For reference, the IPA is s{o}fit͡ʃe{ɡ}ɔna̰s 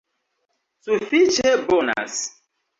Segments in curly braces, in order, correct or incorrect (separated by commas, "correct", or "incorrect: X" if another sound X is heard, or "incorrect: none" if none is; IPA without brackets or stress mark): incorrect: u, incorrect: b